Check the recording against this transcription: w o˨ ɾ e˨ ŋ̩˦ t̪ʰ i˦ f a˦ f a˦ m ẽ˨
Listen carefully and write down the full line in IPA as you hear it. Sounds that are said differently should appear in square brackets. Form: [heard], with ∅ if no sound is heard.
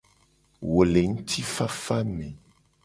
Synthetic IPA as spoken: w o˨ [l] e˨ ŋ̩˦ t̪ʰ i˦ f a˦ f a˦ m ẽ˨